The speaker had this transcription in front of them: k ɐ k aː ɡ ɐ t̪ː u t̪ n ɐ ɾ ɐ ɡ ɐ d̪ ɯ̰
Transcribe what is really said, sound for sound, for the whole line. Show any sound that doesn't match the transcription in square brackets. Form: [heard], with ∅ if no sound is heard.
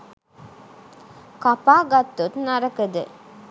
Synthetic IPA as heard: k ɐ [p] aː ɡ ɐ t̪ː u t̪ n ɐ ɾ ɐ [k] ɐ d̪ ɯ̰